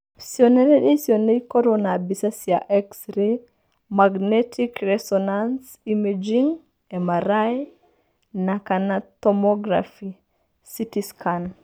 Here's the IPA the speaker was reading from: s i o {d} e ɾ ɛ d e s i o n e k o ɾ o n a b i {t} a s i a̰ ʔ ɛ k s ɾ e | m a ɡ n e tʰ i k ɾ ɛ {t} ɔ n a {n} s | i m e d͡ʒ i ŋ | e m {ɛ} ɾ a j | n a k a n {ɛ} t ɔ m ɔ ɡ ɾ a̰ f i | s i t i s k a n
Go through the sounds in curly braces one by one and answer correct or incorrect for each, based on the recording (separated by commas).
incorrect, incorrect, incorrect, correct, incorrect, incorrect